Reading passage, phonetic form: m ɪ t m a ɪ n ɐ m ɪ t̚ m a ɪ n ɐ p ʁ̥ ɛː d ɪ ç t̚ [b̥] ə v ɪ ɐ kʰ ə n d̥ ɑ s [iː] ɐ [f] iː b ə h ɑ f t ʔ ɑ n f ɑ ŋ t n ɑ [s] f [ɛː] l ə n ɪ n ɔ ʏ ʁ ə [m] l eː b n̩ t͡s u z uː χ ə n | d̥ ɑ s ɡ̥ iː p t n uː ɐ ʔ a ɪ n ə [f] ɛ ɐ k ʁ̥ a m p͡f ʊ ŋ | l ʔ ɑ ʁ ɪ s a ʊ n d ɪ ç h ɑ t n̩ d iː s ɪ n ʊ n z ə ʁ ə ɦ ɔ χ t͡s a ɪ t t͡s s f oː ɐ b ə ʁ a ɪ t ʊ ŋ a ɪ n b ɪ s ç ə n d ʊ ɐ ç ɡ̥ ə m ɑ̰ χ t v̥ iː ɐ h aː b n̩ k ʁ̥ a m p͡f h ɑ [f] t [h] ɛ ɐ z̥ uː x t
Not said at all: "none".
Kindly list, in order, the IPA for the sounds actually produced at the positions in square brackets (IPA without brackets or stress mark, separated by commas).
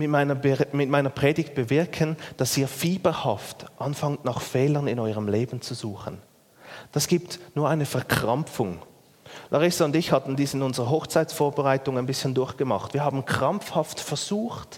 b̥, iː, f, χ, ɛː, m, f, f, f